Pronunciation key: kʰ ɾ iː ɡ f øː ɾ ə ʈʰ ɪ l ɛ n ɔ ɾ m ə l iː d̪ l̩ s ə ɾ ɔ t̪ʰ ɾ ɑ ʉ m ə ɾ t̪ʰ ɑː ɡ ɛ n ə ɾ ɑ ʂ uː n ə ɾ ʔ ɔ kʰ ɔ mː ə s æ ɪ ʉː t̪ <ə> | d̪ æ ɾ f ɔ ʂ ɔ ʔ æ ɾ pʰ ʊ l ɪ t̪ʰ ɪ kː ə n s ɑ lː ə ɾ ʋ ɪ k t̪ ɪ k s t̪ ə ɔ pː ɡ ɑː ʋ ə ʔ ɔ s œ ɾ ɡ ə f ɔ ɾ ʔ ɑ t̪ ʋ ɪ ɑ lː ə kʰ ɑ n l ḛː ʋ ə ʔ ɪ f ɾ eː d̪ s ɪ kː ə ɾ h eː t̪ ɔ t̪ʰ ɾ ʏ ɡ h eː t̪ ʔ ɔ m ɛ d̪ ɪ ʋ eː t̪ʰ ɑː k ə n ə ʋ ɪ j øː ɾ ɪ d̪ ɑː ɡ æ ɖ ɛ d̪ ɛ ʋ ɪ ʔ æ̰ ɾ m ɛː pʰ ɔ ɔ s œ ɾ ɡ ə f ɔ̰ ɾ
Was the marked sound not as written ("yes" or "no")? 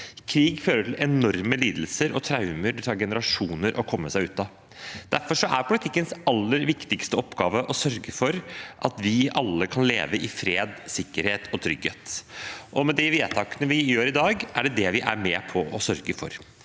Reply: yes